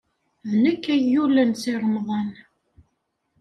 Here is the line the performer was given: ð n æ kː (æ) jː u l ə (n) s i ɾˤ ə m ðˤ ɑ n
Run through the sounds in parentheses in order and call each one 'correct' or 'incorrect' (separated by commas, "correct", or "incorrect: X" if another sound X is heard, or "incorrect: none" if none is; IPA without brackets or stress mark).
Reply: correct, correct